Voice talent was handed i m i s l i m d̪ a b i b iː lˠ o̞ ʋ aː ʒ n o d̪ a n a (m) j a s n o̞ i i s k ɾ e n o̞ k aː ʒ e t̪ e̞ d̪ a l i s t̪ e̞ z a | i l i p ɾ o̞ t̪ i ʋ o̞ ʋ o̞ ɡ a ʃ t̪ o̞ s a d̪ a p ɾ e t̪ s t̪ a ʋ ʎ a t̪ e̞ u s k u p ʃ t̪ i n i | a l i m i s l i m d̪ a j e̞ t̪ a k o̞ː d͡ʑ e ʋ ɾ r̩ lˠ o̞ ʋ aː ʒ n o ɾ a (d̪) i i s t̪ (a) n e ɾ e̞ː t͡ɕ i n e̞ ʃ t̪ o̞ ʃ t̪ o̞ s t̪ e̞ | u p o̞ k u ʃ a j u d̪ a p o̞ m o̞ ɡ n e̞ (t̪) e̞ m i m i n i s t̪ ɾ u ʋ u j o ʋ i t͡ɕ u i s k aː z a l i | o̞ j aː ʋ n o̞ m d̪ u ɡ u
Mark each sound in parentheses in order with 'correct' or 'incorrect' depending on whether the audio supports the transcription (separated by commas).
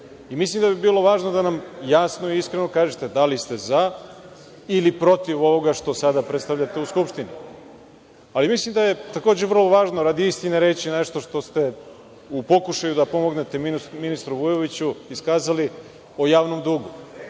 correct, correct, incorrect, correct